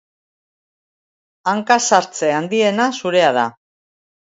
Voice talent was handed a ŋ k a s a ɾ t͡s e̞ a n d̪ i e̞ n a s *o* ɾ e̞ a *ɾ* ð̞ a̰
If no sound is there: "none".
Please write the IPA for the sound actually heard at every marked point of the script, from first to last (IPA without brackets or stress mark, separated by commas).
u, none